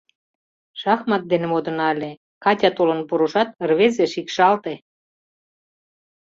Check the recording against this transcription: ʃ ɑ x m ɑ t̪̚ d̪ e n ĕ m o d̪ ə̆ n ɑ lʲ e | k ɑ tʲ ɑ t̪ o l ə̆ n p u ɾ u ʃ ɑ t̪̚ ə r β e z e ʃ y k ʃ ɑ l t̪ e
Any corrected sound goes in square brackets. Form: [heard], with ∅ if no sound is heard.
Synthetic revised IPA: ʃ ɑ x m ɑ t̪̚ d̪ e n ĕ m o d̪ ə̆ n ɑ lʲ e | k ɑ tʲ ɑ t̪ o l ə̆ n p u ɾ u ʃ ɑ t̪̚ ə r β e z e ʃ [i] k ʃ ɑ l t̪ e